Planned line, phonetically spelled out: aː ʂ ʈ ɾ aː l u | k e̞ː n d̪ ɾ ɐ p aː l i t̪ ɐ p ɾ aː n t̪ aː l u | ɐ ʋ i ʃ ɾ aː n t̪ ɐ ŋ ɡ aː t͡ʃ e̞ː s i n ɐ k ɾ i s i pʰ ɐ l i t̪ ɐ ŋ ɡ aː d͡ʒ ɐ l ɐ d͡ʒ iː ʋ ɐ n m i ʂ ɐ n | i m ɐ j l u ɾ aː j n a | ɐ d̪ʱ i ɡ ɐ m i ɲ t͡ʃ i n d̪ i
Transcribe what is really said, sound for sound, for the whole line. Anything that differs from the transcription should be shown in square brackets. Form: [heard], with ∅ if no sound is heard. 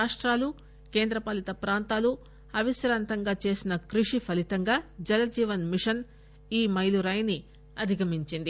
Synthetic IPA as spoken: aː ʂ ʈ ɾ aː l u | k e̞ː n d̪ ɾ ɐ p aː l i t̪ ɐ p ɾ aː n t̪ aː l u | ɐ ʋ i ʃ ɾ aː n t̪ ɐ ŋ ɡ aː t͡ʃ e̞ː s i n ɐ k ɾ i [ʂ] i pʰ ɐ l i t̪ ɐ ŋ ɡ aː d͡ʒ ɐ l ɐ d͡ʒ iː ʋ ɐ n m i ʂ ɐ n | [iː] m ɐ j l u ɾ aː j n [i] | ɐ d̪ʱ i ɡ ɐ m i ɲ t͡ʃ i n d̪ i